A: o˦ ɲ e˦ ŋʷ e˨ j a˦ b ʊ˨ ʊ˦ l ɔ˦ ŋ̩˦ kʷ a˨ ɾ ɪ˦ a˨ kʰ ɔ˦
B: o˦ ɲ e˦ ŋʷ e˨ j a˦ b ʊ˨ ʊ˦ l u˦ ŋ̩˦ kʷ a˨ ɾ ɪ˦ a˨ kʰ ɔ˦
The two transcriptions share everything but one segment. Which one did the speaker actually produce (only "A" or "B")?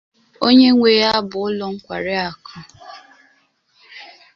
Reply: A